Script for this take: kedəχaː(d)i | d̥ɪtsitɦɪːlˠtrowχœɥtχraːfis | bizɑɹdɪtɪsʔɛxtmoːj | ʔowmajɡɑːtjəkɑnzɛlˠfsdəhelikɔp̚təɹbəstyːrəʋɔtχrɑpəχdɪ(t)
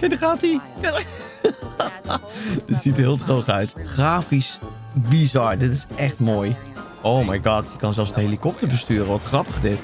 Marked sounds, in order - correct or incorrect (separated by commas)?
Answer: incorrect, correct